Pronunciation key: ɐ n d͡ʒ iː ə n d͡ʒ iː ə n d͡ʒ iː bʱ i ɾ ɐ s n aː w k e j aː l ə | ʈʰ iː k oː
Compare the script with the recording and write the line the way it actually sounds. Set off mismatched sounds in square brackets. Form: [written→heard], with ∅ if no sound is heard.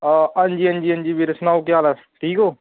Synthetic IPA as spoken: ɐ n d͡ʒ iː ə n d͡ʒ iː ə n d͡ʒ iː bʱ i ɾ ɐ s n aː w k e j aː l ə | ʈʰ iː k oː